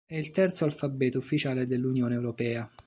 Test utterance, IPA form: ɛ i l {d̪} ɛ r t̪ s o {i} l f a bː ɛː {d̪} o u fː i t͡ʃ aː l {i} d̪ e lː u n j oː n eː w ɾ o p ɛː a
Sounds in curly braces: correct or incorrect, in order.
incorrect: t̪, incorrect: a, incorrect: t̪, incorrect: e

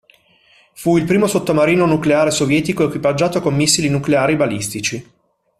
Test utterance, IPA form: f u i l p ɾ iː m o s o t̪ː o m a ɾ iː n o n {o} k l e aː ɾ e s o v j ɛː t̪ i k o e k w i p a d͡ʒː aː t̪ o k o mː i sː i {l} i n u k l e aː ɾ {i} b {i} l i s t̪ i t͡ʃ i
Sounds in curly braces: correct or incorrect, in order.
incorrect: u, correct, correct, incorrect: a

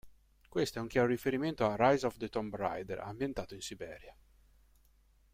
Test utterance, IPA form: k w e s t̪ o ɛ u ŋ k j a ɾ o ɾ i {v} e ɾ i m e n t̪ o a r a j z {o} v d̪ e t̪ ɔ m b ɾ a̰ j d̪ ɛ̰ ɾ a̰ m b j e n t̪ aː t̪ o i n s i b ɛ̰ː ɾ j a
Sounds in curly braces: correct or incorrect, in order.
incorrect: f, incorrect: ɔ

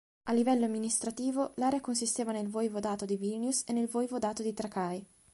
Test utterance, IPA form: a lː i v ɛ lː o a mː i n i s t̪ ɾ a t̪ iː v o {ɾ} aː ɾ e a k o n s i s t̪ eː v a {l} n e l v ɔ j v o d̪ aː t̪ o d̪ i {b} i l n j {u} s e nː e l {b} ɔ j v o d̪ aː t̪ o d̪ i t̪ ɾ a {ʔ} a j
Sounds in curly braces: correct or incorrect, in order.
incorrect: l, incorrect: none, incorrect: v, correct, incorrect: v, incorrect: k

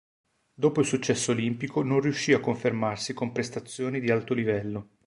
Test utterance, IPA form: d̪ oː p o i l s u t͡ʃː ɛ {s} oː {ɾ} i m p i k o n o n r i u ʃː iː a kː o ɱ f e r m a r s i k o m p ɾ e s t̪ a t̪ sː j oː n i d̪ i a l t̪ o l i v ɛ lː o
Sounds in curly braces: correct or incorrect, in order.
incorrect: sː, incorrect: l

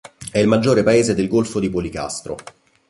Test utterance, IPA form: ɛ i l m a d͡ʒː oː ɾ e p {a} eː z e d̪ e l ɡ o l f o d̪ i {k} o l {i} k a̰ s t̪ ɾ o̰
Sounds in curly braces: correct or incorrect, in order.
correct, incorrect: p, correct

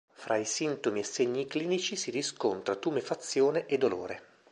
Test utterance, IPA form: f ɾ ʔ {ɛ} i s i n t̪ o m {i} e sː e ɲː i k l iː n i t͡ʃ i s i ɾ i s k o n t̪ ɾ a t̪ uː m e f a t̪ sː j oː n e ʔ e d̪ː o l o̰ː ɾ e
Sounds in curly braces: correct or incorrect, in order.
incorrect: a, correct

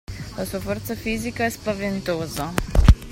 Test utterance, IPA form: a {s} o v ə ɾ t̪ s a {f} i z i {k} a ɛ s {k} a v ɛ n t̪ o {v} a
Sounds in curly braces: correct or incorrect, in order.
correct, correct, correct, incorrect: p, incorrect: z

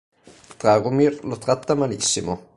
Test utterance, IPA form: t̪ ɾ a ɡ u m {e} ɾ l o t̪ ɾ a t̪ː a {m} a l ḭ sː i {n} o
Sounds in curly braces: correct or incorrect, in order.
incorrect: i, correct, incorrect: m

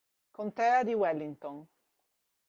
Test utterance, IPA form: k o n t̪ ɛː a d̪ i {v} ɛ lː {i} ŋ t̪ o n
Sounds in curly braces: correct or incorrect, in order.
incorrect: w, correct

